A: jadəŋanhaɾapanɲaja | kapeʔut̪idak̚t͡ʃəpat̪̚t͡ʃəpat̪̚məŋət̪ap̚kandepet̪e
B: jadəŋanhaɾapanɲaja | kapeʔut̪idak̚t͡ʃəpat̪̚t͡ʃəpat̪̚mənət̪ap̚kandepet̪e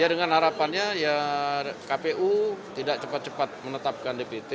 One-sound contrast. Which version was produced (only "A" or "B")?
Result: B